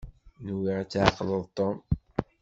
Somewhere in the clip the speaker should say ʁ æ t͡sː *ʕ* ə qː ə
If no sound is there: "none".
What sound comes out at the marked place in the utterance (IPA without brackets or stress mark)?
ʕ